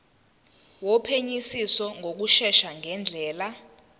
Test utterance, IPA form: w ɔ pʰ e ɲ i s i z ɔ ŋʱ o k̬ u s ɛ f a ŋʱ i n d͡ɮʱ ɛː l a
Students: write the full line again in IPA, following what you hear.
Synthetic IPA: w ɔ pʰ e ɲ i s i s ɔ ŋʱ o k̬ u ʃ ɛ ʃ a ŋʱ ɛ n d͡ɮʱ ɛː l a